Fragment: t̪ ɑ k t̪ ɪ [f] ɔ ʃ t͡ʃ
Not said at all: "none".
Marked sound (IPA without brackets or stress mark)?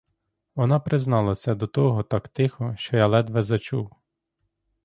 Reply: x